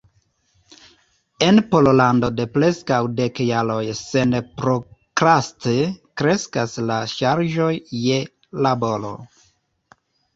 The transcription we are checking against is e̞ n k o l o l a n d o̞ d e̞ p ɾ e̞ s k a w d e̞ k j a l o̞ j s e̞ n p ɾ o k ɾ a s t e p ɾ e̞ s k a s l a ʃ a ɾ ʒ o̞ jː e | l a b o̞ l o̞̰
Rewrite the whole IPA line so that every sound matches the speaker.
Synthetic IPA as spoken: e̞ n p o l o l a n d o̞ d e̞ p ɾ e̞ s k a w d e̞ k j a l o̞ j s e̞ n p ɾ o k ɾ a s t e k ɾ e̞ s k a s l a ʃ a ɾ ʒ o̞ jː e | l a b o̞ l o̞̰